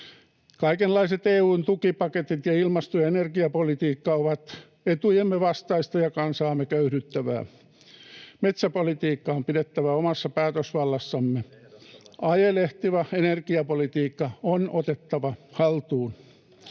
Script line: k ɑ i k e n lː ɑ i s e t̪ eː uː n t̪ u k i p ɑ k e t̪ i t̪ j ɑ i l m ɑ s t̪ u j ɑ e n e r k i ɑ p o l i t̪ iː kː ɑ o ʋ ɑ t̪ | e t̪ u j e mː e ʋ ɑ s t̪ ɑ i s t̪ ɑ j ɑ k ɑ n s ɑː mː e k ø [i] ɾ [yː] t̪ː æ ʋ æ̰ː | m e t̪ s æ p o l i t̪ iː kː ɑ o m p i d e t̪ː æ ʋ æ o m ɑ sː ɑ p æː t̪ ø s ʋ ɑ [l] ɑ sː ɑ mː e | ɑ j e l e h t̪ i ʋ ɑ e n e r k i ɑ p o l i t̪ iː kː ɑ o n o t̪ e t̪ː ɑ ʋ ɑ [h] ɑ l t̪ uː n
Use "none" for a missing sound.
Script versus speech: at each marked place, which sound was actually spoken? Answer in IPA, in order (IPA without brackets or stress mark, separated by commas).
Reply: y, y, lː, h